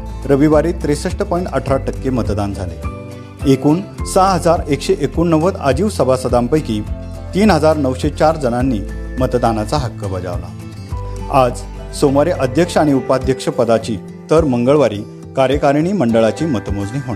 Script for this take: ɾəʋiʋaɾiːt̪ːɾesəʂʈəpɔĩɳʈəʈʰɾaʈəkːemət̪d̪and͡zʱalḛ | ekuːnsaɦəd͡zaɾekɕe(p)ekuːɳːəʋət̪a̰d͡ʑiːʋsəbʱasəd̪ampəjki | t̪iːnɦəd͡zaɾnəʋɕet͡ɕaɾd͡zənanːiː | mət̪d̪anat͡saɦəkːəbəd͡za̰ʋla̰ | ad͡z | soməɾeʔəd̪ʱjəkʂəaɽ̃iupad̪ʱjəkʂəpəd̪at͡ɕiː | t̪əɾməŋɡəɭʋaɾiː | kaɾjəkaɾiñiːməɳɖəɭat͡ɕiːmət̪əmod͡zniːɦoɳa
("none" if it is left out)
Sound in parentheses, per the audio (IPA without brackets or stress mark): ʔ